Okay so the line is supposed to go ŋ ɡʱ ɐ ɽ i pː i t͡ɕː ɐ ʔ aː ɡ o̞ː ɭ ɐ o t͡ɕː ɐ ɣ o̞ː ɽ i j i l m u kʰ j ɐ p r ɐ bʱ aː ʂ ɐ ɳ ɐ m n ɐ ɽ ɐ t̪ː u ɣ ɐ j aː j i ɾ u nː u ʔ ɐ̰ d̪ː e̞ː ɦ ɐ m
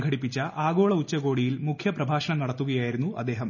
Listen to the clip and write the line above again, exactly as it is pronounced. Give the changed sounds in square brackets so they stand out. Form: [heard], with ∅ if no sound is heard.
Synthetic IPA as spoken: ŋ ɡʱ ɐ ɽ i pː i t͡ɕː ɐ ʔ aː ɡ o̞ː ɭ ɐ [u] t͡ɕː ɐ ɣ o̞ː ɽ i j i l m u kʰ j ɐ p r ɐ bʱ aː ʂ ɐ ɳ ɐ m n ɐ ɽ ɐ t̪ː u ɣ ɐ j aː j i ɾ u nː u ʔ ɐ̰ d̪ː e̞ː ɦ ɐ m